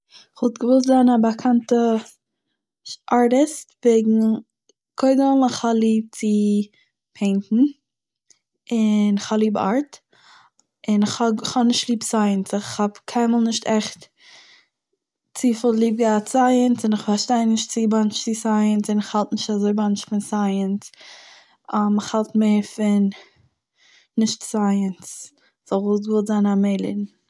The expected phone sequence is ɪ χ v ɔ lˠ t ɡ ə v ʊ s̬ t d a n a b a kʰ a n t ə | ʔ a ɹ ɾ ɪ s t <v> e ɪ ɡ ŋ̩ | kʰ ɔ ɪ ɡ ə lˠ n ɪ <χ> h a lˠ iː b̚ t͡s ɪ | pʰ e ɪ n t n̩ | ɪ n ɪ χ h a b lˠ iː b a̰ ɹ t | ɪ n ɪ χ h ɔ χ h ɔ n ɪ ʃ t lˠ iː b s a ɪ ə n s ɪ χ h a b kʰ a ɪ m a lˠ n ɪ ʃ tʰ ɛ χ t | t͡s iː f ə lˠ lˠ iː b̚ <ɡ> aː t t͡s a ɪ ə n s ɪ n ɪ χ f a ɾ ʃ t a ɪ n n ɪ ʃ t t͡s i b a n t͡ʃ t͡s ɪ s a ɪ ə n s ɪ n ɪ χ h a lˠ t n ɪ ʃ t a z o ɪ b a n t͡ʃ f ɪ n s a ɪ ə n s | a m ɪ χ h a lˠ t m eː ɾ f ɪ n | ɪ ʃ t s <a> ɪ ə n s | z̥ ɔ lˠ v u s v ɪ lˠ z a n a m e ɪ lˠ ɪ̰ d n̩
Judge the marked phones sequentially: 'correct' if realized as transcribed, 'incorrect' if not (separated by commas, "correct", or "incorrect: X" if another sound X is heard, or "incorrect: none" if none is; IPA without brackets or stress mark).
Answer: correct, correct, correct, correct